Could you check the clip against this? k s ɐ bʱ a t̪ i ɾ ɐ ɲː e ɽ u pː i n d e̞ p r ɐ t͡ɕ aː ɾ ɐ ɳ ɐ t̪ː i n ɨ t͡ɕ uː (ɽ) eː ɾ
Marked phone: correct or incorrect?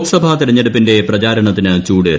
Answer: correct